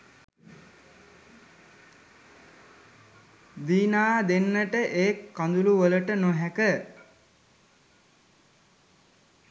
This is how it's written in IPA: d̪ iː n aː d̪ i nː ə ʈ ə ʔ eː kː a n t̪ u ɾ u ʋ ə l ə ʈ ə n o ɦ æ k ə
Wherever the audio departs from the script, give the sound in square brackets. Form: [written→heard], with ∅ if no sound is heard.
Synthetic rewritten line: d̪ iː n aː d̪ [i→e] nː ə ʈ ə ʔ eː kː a n [t̪→d̪] u [ɾ→l] u ʋ ə l ə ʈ ə n o ɦ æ k ə